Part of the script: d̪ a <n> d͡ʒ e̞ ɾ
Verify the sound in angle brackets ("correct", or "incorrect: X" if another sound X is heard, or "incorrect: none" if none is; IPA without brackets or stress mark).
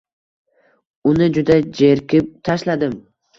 incorrect: none